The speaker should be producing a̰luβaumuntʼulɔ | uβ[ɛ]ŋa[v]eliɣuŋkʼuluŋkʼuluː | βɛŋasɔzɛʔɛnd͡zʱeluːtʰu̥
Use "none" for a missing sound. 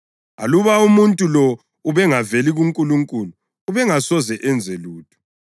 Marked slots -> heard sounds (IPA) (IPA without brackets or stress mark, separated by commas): ɛ, v